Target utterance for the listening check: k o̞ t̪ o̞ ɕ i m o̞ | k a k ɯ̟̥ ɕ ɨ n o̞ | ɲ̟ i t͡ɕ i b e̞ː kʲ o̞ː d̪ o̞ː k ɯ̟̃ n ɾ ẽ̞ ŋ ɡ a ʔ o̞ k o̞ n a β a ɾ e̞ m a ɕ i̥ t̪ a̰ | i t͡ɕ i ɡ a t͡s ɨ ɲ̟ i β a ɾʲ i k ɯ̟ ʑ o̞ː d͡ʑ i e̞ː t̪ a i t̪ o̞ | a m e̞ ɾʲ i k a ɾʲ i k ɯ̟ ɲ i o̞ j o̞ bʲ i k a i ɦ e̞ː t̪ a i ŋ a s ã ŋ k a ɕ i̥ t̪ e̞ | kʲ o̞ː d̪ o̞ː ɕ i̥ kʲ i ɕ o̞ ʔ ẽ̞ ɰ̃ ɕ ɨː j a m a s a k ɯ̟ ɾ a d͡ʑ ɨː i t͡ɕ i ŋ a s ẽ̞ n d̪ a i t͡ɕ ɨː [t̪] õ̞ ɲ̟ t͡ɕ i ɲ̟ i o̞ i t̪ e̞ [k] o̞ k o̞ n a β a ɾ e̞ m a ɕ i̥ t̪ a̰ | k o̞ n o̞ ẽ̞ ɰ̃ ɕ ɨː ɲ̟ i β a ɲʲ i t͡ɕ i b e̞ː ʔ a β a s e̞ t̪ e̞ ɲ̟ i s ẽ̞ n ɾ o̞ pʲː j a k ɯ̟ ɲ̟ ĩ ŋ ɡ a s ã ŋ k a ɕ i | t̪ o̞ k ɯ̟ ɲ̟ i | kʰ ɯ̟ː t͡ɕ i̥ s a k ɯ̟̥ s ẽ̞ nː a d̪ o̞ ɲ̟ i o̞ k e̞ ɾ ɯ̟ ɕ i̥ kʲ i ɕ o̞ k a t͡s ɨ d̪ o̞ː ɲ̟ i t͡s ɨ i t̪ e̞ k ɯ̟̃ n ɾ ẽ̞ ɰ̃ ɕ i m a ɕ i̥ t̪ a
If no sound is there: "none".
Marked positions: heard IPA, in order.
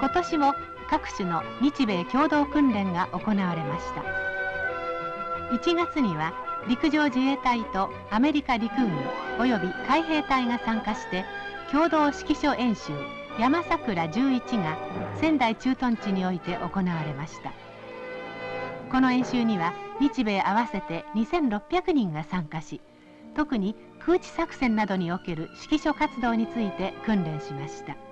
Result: t̪, ʔ

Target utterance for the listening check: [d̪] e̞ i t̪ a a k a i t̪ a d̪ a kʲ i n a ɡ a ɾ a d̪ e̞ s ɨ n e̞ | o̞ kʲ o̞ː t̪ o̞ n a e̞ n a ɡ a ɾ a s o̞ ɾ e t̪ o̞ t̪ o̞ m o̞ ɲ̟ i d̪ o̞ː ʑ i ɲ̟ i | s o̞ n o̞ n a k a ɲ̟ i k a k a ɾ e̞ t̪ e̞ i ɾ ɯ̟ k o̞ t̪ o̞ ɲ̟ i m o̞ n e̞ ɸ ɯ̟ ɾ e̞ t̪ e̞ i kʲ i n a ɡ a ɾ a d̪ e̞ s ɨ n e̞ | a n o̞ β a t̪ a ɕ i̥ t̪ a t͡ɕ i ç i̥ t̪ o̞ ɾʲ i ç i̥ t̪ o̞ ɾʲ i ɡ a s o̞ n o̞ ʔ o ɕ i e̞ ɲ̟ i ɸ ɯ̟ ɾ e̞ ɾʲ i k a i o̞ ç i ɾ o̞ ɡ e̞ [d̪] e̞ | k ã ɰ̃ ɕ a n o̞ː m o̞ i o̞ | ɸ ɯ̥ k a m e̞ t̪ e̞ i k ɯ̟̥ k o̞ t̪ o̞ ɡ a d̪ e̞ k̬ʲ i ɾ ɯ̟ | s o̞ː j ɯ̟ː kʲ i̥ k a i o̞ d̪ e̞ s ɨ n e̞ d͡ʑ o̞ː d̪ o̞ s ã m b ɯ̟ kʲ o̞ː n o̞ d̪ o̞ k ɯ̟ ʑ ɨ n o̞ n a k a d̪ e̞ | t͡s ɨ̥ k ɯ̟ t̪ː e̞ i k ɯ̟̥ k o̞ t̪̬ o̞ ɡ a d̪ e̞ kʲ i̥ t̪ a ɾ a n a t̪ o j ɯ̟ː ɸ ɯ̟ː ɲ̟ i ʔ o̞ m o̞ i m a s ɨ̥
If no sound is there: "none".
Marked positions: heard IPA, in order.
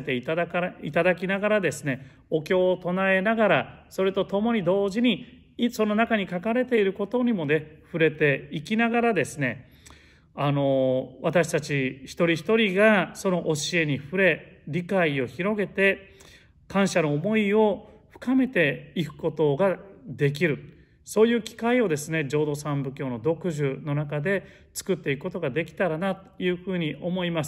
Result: t̪, t̪

